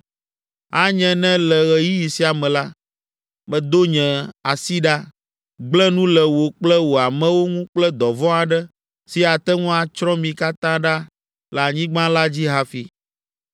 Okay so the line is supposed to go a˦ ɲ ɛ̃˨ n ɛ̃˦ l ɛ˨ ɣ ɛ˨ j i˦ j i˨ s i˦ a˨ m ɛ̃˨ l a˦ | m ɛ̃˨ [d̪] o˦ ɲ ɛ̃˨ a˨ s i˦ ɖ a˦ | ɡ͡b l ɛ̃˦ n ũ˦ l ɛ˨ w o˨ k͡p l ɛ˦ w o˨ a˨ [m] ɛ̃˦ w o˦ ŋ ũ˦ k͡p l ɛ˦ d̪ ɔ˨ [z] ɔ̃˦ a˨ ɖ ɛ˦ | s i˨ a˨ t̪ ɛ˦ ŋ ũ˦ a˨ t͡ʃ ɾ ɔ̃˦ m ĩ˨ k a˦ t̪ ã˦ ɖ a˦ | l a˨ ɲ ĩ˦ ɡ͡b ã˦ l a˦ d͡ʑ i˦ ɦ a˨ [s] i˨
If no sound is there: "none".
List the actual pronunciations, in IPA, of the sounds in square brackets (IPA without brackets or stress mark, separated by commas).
d̪, m, v, f